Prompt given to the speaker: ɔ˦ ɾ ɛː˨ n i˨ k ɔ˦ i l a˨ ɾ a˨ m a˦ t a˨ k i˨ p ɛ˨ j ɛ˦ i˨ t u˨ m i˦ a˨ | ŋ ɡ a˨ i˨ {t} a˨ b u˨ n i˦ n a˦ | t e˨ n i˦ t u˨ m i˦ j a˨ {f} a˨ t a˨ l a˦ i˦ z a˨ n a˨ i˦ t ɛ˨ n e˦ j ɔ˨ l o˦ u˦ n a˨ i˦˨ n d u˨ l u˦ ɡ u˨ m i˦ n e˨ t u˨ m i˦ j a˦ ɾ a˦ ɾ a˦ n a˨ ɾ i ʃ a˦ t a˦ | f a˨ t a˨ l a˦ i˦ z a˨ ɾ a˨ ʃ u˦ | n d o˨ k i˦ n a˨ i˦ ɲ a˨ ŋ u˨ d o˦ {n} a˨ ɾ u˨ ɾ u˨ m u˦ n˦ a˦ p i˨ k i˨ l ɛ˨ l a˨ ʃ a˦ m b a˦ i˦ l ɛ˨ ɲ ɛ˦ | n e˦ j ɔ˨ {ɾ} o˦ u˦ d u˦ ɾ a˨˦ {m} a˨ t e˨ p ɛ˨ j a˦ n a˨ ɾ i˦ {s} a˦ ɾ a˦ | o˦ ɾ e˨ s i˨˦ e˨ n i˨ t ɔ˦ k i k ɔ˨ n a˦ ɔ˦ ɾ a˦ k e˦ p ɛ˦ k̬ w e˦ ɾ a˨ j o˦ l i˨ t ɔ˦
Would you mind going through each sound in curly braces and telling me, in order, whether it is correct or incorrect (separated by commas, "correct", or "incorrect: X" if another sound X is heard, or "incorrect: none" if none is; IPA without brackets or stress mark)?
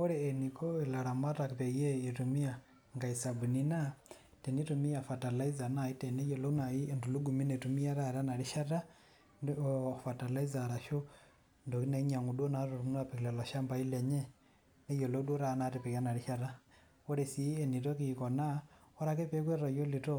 incorrect: s, correct, correct, incorrect: l, incorrect: n, incorrect: ʃ